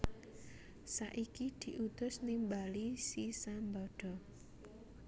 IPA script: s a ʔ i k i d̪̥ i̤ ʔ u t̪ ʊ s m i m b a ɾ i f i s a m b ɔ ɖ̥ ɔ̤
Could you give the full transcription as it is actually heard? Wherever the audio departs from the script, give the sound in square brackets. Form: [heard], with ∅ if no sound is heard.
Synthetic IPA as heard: s a ʔ i k i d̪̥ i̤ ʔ u t̪ ʊ s [n] i m b a [l] i [s] i s a m b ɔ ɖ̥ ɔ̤